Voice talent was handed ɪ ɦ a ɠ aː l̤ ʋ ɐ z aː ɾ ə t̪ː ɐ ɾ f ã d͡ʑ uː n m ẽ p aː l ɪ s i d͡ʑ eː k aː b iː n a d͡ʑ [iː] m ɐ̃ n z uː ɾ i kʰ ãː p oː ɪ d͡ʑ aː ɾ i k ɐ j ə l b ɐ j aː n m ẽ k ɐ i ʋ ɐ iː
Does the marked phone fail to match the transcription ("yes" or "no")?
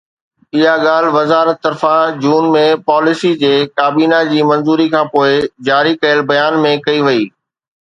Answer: no